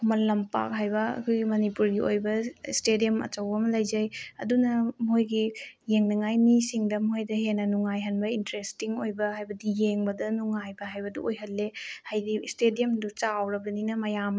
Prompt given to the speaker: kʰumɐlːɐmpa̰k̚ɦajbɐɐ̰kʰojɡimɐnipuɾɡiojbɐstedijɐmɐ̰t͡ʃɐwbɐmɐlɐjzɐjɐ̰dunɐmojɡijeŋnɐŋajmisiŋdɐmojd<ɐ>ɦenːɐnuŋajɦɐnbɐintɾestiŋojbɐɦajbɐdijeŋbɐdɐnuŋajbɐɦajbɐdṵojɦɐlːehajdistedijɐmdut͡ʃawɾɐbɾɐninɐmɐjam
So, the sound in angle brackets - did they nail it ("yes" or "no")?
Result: yes